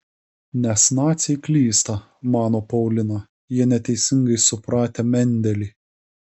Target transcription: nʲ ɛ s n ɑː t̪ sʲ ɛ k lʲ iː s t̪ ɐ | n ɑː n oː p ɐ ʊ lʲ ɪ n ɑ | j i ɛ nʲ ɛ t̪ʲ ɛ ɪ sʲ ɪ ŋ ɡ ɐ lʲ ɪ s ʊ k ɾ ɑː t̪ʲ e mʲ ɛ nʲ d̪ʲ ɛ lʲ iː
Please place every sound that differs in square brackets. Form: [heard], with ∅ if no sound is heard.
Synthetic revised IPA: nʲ ɛ s n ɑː t̪ sʲ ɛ k lʲ iː s t̪ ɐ | [m] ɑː n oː p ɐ ʊ lʲ ɪ n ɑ | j i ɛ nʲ ɛ t̪ʲ ɛ ɪ sʲ ɪ ŋ ɡ ɐ [∅] ɪ s ʊ [p] ɾ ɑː t̪ʲ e mʲ ɛ nʲ d̪ʲ ɛ lʲ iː

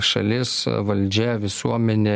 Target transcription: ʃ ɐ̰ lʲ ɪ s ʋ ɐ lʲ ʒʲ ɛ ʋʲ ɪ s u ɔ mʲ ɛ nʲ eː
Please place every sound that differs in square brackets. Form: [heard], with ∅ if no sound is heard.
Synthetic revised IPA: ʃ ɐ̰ lʲ ɪ s ʋ ɐ lʲ [d͡ʒʲ] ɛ ʋʲ ɪ s u ɔ mʲ ɛ nʲ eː

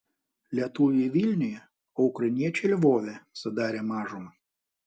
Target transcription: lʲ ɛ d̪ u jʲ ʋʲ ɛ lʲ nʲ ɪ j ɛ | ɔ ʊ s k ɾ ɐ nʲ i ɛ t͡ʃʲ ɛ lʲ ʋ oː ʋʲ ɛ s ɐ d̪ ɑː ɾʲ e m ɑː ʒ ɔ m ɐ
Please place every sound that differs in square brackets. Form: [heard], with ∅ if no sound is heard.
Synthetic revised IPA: lʲ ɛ [t̪] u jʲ ʋʲ [i] lʲ nʲ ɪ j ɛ | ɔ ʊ [∅] k ɾ ɐ nʲ i ɛ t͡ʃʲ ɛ lʲ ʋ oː ʋʲ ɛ s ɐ d̪ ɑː ɾʲ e m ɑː ʒ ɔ m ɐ

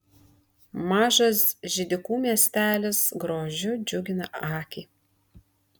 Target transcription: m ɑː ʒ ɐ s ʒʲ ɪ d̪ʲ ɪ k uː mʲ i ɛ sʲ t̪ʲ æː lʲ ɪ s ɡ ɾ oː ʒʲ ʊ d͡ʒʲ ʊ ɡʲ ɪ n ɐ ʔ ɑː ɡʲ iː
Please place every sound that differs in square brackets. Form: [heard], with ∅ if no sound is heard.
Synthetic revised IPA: m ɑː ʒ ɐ s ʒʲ ɪ d̪ʲ ɪ k uː mʲ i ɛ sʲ t̪ʲ æː lʲ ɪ s ɡ ɾ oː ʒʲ ʊ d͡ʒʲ ʊ ɡʲ ɪ n ɐ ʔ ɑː [kʲ] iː

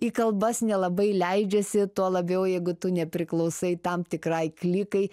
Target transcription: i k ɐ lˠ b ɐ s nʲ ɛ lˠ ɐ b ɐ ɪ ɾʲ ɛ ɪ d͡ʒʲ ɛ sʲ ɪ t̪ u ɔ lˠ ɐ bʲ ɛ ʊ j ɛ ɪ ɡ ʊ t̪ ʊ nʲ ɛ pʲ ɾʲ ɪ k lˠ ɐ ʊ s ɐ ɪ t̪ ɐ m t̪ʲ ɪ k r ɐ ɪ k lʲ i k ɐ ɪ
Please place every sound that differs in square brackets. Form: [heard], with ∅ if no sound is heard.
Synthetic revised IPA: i k ɐ lˠ b ɐ s nʲ ɛ lˠ ɐ b ɐ ɪ [lʲ] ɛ ɪ d͡ʒʲ ɛ sʲ ɪ t̪ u ɔ lˠ ɐ bʲ ɛ ʊ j ɛ ɪ ɡ ʊ t̪ ʊ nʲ ɛ pʲ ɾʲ ɪ k lˠ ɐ ʊ s ɐ ɪ t̪ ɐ m t̪ʲ ɪ k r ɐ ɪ k lʲ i k ɐ ɪ

